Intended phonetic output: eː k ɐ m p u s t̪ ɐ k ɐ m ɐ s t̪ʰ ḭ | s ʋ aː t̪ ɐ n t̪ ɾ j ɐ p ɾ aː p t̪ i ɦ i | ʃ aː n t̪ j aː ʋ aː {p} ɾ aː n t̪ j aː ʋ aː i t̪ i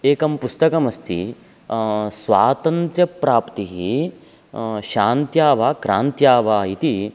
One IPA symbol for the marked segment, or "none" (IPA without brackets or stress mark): k